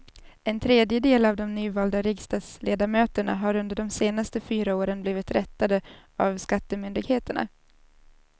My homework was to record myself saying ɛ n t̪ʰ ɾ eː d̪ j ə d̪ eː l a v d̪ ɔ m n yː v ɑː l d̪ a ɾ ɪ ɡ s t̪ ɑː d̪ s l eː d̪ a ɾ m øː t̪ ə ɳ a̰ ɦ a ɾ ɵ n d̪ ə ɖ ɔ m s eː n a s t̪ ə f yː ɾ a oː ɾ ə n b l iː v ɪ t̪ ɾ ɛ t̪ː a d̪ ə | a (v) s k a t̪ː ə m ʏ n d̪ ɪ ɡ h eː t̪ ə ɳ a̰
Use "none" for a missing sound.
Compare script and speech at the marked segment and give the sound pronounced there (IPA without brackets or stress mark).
v